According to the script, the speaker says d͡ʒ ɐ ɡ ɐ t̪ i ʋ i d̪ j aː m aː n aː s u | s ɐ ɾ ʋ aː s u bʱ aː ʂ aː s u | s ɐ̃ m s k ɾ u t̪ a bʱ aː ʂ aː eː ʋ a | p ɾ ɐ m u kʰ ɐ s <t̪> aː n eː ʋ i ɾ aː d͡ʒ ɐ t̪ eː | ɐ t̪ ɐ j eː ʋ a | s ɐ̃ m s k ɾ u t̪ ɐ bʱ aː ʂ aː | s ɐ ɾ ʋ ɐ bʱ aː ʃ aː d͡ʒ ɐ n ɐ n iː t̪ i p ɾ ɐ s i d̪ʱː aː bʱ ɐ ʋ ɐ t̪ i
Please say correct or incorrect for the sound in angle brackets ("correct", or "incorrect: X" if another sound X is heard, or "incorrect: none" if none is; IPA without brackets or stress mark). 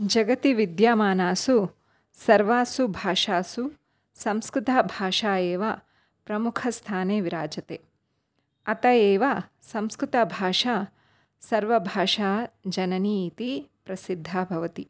incorrect: t̪ʰ